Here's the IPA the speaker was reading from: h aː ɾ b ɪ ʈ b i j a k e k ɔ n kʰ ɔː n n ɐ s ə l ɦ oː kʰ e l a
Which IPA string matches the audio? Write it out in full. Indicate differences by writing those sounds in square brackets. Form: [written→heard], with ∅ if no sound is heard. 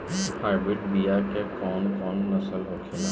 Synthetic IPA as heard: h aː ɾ b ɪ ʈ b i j a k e k [ɔ→ɔː] n [kʰ→k] ɔː n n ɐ s ə l ɦ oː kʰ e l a